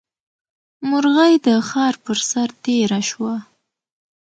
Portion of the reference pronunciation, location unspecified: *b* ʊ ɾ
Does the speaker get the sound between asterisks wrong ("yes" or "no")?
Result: yes